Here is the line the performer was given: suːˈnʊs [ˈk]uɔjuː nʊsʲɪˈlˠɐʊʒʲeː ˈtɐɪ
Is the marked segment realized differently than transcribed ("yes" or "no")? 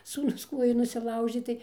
no